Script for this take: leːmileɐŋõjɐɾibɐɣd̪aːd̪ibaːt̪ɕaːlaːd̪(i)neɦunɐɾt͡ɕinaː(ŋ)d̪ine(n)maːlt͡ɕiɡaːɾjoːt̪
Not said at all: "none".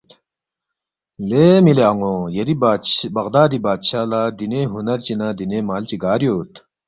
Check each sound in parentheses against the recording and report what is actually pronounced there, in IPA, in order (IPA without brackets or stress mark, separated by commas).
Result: i, none, none